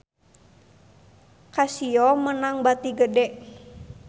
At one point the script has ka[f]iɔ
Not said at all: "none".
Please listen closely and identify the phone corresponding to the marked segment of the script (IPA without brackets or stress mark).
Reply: s